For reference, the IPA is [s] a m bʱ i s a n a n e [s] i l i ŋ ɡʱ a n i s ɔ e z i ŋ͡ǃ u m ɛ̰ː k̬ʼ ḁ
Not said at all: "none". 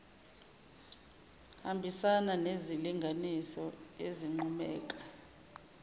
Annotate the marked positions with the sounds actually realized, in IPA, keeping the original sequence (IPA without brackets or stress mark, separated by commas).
h, z